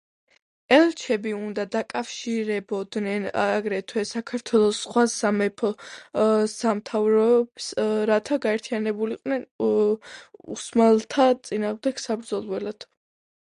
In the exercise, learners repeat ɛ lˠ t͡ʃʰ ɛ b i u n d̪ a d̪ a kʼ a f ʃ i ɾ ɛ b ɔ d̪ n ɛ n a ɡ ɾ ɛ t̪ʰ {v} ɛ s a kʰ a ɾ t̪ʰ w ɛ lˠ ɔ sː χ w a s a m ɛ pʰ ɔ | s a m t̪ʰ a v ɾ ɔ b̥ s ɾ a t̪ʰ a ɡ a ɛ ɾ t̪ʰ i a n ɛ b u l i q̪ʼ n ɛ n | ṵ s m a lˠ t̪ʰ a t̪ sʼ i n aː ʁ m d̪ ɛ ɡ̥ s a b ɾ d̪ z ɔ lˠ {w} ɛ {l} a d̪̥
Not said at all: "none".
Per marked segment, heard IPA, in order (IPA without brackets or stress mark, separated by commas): w, w, l